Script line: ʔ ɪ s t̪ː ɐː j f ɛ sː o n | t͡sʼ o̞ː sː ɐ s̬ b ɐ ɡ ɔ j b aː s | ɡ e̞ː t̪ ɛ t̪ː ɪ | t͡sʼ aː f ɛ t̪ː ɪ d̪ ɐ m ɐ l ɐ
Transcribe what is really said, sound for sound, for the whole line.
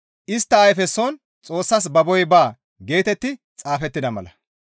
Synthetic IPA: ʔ ɪ s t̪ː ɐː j f ɛ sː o n | t͡sʼ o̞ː sː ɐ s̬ b ɐ b ɔ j b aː | ɡ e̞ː t̪ ɛ t̪ː ɪ | t͡sʼ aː f ɛ t̪ː ɪ d̪ ɐ m ɐ l ɐ